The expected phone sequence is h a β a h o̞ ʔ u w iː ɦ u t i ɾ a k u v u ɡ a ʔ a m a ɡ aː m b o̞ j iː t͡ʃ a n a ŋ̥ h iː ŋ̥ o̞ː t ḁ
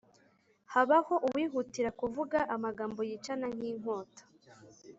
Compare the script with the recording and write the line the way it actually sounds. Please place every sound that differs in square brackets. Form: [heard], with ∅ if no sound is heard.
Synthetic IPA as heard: h a β a h o̞ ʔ u w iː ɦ u t i ɾ a k u v u ɡ a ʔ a m a ɡ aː m b o̞ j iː t͡ʃ a n a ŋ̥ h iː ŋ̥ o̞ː t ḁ